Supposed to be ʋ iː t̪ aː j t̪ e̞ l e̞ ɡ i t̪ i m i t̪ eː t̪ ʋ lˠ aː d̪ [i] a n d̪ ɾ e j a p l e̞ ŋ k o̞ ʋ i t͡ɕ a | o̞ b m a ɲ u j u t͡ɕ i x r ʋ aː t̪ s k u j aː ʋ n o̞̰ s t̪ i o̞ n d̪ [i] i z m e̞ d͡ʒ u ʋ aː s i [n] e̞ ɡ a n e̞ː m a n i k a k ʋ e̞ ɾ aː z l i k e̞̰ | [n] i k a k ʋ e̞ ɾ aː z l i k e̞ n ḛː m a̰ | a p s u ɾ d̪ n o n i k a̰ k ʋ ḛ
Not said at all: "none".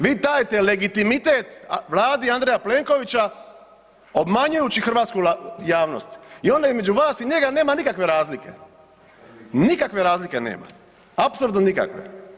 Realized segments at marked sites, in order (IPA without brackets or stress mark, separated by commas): i, a, ɲ, n